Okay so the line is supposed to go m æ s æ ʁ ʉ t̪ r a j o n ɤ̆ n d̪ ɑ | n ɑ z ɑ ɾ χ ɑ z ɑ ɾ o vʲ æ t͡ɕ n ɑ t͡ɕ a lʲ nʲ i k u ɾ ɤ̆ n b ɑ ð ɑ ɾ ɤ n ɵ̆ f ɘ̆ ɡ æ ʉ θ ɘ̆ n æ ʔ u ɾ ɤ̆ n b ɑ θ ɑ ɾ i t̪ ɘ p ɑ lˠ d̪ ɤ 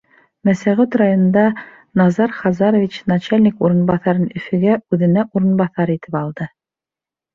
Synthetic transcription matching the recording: m æ s æ ʁ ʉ t̪ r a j o n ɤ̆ n d̪ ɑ | n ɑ z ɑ ɾ χ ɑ z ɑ ɾ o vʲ i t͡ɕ n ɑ t͡ɕ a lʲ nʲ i k u ɾ ɤ̆ n b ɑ θ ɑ ɾ ɤ n ɵ̆ f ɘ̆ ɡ æ ʉ ð ɘ̆ n æ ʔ u ɾ ɤ̆ n b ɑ θ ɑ ɾ i t̪ ɘ p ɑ lˠ d̪ ɤ